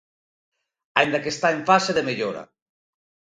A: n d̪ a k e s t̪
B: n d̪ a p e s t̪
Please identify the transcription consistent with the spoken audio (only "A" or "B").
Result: A